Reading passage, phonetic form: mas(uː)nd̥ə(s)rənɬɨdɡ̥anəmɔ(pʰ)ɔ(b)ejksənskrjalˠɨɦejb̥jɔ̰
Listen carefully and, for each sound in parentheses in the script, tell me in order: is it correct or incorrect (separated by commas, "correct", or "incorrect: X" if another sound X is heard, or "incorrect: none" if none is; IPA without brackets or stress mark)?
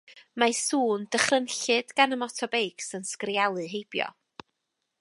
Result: correct, incorrect: χ, incorrect: tʰ, correct